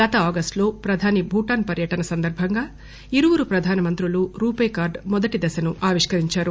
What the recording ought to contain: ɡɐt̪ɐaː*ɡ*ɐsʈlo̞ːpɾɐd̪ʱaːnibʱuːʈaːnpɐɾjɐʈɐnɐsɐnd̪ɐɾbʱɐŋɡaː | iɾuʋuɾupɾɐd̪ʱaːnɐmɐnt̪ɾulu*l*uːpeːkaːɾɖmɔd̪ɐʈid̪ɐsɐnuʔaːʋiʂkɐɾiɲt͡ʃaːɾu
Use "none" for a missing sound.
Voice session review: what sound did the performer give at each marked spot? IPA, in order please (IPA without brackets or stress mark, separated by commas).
ɡ, ɾ